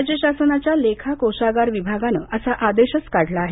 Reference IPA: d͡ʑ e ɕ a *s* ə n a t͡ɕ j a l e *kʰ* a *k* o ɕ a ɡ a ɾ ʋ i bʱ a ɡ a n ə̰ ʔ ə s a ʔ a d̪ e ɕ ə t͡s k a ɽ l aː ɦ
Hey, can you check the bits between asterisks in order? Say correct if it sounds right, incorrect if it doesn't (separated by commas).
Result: correct, correct, correct